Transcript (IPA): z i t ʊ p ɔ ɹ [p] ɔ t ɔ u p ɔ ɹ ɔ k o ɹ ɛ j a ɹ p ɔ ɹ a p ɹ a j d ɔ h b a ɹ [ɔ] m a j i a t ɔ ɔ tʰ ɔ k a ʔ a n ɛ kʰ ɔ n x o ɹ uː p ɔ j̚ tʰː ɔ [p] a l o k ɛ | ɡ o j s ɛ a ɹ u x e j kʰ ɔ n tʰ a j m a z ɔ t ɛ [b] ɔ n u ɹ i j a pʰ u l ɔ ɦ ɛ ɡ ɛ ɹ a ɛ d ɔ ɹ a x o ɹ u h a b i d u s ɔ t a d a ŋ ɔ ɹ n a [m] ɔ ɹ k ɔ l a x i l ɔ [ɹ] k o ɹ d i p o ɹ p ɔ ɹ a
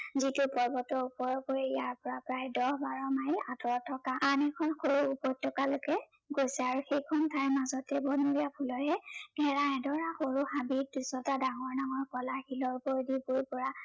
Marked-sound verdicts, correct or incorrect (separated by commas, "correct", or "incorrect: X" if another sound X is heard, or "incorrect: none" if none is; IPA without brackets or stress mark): incorrect: b, correct, incorrect: k, correct, incorrect: ŋ, correct